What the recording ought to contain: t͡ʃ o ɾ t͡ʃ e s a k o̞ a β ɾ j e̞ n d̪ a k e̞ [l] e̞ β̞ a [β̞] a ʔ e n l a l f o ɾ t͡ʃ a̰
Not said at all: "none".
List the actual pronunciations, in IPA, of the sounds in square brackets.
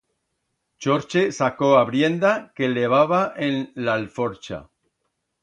l, β̞

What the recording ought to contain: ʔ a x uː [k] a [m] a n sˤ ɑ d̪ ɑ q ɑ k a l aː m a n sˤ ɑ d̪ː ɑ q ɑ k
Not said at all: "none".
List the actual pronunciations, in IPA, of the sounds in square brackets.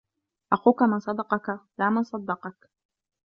k, m

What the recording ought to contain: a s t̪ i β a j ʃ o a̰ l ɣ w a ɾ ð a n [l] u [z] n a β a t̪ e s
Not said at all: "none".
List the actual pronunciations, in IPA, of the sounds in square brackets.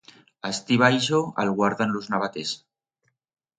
l, z

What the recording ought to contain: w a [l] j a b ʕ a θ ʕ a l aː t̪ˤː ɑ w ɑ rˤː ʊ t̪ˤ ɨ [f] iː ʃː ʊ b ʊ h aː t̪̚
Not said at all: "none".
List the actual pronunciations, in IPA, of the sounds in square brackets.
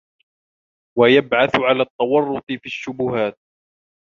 none, f

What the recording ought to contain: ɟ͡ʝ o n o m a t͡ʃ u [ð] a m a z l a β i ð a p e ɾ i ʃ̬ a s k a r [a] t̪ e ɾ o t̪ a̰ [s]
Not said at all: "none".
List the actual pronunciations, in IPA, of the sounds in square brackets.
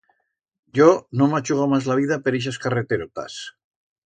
ɣ, e, s

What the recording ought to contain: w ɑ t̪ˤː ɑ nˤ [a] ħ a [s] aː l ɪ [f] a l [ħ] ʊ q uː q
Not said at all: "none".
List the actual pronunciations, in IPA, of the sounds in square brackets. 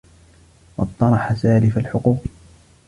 ɑ, s, f, ħ

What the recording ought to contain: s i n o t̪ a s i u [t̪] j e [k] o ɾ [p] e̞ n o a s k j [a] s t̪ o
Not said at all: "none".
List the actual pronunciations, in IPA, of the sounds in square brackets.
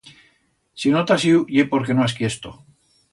none, p, k, e

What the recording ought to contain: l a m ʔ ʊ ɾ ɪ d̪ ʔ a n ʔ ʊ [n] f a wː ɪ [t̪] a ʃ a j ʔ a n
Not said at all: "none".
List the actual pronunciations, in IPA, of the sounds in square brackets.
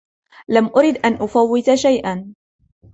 none, t̪

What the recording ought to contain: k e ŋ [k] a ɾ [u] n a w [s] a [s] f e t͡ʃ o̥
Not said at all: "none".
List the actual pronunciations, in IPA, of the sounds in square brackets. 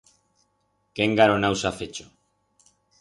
ɡ, o, s, none

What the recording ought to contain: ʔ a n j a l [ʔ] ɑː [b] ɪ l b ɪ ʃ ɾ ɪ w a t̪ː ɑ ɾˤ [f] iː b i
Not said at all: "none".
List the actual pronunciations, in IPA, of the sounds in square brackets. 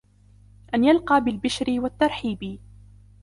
q, b, ħ

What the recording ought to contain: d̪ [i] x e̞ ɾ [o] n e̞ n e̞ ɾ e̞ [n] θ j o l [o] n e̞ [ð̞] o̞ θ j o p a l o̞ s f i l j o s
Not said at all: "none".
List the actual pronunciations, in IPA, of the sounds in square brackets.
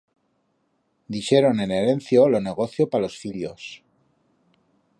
i, o, n, o, ɣ̞

